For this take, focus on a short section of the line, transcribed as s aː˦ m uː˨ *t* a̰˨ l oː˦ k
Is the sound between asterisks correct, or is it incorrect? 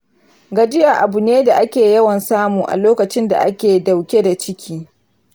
incorrect